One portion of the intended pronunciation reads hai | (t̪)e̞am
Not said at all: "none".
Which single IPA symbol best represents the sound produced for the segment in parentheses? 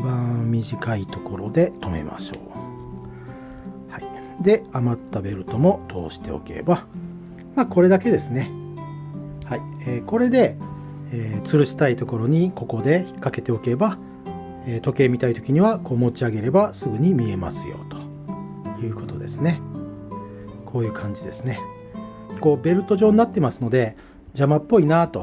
d̪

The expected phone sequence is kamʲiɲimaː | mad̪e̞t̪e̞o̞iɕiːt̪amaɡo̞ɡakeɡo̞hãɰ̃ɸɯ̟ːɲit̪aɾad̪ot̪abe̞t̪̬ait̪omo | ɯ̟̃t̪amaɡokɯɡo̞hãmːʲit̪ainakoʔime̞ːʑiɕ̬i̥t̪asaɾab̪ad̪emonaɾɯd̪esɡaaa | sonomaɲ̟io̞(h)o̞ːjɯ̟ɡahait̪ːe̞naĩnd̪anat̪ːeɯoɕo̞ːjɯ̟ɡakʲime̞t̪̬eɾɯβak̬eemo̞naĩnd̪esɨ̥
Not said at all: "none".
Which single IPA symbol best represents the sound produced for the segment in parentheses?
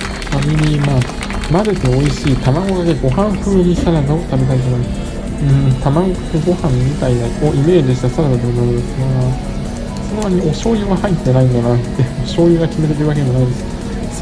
ɕ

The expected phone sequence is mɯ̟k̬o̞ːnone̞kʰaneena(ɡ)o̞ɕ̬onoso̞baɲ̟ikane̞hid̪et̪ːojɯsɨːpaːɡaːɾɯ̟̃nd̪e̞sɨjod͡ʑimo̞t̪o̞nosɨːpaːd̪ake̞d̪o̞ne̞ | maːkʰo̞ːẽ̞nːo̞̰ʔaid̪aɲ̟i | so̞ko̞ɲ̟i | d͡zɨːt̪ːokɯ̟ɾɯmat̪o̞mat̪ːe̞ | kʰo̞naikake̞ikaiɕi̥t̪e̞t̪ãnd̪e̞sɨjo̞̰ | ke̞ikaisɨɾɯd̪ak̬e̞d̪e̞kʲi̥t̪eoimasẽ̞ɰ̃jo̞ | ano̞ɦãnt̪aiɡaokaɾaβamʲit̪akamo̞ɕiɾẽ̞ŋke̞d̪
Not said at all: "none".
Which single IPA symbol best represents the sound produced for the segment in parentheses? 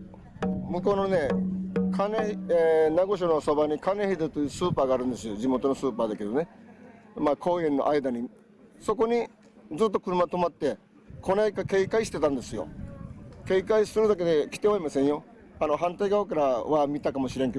ɡ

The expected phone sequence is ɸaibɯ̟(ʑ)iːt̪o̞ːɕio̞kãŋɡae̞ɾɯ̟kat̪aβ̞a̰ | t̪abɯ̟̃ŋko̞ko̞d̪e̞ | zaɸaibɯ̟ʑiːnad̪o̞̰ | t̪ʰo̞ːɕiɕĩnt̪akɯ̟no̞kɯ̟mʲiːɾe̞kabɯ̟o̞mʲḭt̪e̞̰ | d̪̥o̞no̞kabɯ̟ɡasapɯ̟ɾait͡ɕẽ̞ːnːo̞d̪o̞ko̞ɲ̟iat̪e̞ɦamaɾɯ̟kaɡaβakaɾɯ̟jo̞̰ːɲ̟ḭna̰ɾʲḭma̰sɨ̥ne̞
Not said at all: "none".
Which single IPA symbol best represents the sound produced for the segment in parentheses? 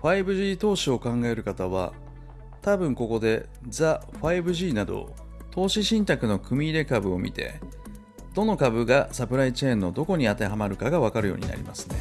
ʑ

